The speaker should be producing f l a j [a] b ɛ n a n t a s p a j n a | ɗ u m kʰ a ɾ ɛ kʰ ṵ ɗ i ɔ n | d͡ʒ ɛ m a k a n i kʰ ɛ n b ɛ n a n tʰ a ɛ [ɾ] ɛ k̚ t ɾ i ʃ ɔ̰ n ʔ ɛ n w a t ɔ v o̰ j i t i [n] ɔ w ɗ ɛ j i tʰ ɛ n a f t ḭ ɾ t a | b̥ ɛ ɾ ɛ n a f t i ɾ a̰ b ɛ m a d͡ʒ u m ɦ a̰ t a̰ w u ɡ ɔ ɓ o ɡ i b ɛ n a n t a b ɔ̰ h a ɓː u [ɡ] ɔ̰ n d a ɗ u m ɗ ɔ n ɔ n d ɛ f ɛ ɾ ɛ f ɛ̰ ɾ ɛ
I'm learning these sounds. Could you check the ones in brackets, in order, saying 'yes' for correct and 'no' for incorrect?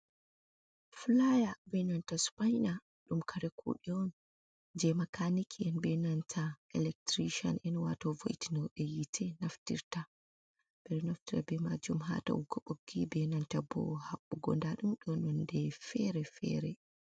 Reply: yes, no, yes, yes

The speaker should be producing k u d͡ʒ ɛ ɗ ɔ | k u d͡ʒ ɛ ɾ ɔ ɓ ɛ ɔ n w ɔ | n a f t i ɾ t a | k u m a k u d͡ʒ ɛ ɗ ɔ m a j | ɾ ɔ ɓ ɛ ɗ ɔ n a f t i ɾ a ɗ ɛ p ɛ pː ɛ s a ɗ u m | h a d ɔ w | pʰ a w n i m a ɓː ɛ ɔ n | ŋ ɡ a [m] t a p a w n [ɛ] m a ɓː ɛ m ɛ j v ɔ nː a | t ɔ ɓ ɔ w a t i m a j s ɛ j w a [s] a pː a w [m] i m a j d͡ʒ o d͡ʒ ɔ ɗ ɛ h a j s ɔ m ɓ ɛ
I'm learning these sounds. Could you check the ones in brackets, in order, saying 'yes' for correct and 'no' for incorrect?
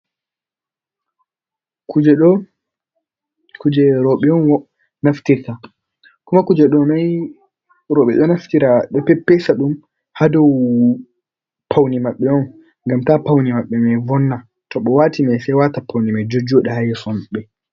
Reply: yes, no, no, no

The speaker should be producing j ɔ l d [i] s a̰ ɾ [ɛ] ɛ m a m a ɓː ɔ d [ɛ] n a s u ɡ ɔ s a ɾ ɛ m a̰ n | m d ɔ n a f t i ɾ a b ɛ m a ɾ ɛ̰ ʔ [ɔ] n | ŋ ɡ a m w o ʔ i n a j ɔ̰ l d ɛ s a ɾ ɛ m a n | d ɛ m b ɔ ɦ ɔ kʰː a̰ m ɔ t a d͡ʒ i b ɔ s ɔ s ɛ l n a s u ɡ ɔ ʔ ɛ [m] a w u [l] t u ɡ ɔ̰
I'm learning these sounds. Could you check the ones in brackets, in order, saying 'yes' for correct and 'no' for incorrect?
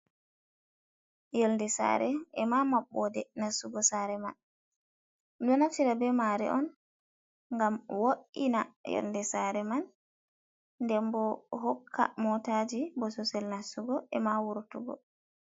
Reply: no, yes, yes, yes, yes, no

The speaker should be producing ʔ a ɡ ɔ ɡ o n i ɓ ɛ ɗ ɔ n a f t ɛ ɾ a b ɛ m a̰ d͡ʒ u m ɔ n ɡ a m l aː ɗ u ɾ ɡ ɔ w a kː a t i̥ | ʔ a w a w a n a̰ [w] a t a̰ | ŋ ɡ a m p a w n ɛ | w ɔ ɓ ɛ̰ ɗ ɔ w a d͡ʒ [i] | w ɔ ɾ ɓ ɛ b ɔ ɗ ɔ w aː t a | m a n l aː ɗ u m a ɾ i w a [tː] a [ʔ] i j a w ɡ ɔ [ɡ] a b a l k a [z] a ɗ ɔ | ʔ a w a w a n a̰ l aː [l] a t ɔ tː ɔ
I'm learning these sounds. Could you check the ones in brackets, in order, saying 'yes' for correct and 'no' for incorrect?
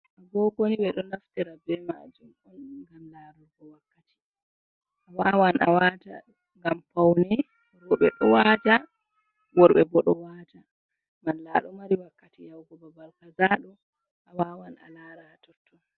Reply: yes, no, no, no, no, yes, no

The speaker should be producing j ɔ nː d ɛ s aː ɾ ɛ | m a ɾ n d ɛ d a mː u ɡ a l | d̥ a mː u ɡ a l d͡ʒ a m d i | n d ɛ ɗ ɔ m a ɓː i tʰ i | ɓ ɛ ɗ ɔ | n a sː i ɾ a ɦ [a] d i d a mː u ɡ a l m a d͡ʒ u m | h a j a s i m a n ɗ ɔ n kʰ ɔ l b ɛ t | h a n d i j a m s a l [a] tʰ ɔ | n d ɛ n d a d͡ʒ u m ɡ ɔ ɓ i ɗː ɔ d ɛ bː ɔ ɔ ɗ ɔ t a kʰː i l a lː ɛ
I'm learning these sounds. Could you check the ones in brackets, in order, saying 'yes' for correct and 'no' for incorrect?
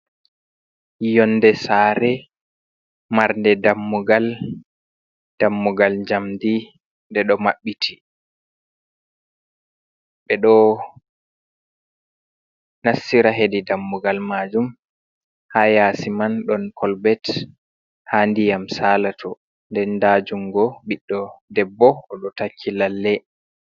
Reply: no, yes

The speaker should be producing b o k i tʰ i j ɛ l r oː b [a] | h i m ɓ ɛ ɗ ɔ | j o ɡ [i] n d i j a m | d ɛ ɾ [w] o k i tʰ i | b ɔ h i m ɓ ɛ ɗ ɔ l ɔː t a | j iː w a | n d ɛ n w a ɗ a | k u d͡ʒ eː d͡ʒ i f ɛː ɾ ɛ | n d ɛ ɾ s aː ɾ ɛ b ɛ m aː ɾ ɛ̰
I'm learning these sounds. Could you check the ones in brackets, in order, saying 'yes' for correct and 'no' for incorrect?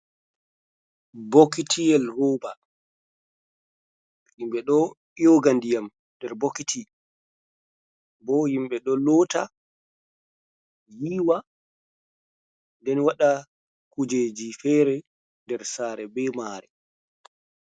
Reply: yes, no, no

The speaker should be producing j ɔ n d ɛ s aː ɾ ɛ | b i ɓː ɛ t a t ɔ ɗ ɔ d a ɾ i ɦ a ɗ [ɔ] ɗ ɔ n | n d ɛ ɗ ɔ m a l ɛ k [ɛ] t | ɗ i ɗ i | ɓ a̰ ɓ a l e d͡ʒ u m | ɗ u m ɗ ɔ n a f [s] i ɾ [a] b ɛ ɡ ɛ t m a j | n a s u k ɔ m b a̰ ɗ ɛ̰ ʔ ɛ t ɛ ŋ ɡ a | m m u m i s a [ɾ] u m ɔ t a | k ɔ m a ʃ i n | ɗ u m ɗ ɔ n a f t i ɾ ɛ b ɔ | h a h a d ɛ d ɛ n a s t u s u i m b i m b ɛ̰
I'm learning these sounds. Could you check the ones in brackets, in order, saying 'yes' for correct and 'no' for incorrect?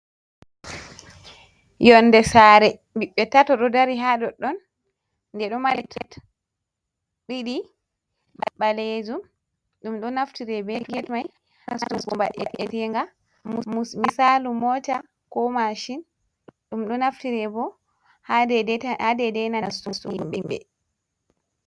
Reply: yes, yes, no, no, no

